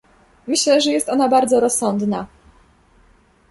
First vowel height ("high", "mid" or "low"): mid